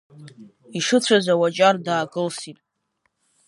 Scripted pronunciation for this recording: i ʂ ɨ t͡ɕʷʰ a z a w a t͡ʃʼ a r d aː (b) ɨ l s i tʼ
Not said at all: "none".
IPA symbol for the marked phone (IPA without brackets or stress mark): ɡ